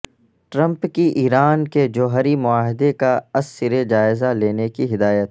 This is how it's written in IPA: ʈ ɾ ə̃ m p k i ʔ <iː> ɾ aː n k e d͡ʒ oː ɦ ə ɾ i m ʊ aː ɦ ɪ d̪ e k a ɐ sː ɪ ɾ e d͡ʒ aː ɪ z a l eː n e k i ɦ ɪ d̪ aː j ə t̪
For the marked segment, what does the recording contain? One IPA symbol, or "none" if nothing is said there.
iː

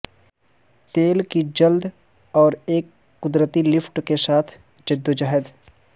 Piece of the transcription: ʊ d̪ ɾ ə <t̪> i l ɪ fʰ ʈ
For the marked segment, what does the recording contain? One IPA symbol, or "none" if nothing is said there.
t̪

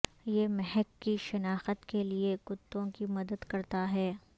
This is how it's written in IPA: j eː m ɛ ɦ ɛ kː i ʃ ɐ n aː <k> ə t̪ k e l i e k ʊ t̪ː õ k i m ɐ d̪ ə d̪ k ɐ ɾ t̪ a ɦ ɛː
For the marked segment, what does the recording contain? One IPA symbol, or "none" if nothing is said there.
x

